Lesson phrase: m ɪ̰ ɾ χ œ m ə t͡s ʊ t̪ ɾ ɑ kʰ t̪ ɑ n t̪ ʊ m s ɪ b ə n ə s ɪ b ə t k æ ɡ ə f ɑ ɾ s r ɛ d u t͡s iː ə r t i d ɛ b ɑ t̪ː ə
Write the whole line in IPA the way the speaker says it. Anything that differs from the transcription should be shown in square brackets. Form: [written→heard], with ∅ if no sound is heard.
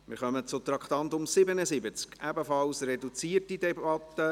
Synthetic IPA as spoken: m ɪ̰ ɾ χ œ m ə t͡s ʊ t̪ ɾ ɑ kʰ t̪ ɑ n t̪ ʊ m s ɪ b ə n ə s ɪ b ə [t→t͡s] k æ [ɡ→b] ə f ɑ [ɾ→l] s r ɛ d u t͡s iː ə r t i d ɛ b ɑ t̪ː ə

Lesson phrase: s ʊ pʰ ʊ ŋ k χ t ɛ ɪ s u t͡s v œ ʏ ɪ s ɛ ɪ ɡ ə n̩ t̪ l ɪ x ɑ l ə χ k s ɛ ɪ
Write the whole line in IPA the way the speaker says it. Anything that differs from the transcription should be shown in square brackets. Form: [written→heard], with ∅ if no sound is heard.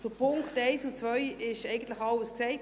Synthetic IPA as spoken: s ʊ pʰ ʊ ŋ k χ t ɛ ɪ s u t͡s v œ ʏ ɪ [s→ʃ] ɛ ɪ ɡ ə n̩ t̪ l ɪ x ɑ l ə [χ→s] k s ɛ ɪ

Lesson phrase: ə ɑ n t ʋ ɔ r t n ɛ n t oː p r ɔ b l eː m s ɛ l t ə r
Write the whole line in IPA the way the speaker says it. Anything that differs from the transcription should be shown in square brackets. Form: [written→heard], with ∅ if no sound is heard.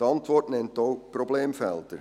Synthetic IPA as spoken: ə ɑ n t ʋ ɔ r t n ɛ n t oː p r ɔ b l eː m [s→f] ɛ l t ə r

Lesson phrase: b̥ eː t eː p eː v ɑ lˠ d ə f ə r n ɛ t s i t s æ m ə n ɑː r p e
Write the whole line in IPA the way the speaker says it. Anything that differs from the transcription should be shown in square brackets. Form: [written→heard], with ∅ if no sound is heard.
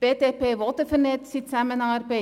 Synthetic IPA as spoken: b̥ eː t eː p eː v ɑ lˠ [d→t] ə f ə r n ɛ t s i t s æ m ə n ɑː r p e

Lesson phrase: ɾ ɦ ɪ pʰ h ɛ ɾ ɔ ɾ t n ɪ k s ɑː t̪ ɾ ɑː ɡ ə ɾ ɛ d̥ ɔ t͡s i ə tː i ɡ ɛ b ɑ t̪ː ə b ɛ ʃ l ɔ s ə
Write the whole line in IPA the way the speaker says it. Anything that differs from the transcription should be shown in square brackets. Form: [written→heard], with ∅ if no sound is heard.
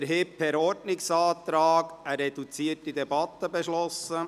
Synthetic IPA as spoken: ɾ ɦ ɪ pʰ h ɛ ɾ ɔ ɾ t n ɪ k s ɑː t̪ ɾ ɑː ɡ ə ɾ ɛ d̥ [ɔ→u] t͡s i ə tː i [ɡ→d] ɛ b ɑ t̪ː ə b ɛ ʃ l ɔ s ə

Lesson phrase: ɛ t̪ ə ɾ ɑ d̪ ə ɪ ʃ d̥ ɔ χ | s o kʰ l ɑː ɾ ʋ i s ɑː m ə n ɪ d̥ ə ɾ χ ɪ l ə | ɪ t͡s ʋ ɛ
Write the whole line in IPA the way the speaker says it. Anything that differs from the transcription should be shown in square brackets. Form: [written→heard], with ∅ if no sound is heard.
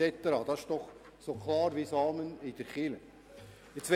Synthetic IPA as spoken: ɛ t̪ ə ɾ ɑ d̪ [ə→ɑ] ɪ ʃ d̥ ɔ χ | s o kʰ l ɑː ɾ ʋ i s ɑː m ə n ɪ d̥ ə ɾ χ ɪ l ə | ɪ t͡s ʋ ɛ

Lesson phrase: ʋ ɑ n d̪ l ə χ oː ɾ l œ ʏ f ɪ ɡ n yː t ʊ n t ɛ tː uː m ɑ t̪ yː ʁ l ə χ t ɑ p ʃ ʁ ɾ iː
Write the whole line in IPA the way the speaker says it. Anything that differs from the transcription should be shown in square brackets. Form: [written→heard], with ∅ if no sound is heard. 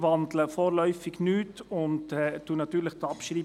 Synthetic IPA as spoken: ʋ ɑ n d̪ l ə [χ→f] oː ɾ l œ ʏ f ɪ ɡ n yː t ʊ n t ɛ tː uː [m→n] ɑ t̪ yː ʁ l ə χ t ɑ p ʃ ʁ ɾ iː

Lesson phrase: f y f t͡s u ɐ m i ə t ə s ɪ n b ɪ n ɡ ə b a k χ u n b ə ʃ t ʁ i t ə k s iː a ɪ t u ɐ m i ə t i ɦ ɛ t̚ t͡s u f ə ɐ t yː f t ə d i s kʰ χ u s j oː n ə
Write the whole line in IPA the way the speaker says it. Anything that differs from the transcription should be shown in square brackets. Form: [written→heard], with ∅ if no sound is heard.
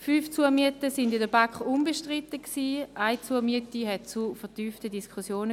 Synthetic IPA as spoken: f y f t͡s u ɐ m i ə t ə s ɪ n [b→d] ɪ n [ɡ→d] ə b a k χ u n b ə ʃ t ʁ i t ə k s iː a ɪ [t→t͡s] u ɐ m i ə t i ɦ ɛ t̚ t͡s u f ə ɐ t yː f t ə d i s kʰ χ u s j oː n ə

